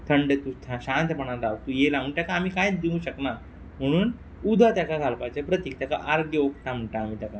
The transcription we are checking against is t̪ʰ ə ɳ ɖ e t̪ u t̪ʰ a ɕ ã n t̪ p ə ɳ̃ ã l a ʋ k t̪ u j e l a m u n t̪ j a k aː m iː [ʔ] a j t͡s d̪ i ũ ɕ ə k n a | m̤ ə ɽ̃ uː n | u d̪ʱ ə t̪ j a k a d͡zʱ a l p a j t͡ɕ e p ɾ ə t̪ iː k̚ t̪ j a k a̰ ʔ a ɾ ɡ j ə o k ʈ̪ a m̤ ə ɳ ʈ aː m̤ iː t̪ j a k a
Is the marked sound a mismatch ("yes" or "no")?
yes